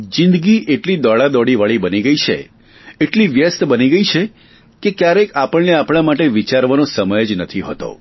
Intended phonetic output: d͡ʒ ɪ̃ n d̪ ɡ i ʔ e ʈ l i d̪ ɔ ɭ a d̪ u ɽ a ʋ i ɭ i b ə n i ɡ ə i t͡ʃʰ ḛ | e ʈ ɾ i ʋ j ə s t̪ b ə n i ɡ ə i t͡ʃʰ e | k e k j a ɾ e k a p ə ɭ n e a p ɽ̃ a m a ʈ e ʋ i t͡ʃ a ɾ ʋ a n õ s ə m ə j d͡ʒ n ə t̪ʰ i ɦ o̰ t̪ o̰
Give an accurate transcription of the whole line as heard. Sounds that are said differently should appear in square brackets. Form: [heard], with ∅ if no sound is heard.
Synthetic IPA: d͡ʒ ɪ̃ n d̪ ɡ i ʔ e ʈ l i d̪ ɔ ɭ a d̪ [ɔ] ɽ [i] ʋ [a] ɭ i b ə n i ɡ ə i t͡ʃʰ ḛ | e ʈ [l] i ʋ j ə s t̪ b ə n i ɡ ə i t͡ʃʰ e | k e k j a ɾ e k a p ə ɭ n e a p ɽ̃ a m a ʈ e ʋ i t͡ʃ a ɾ ʋ a n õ s ə m ə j d͡ʒ n ə t̪ʰ i ɦ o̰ t̪ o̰